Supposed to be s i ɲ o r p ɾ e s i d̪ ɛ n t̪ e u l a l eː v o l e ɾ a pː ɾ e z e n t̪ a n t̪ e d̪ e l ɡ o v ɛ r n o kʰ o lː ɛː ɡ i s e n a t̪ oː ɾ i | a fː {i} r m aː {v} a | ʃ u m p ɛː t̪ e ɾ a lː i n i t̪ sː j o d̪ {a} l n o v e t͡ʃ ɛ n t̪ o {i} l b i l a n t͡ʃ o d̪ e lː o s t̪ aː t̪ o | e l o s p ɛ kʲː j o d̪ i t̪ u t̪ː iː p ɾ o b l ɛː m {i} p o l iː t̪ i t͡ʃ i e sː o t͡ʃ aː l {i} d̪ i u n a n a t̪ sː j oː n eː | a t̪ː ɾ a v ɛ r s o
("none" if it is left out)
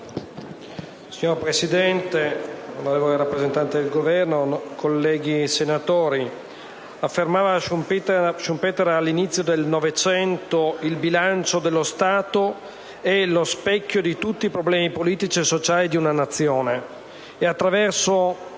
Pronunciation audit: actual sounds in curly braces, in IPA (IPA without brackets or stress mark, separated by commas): e, v, e, i, i, i